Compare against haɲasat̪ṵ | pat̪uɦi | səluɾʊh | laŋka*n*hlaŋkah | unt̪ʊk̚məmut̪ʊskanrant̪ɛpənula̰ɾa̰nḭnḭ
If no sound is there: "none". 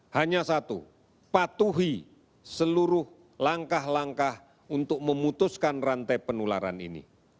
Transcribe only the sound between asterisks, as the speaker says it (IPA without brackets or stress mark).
none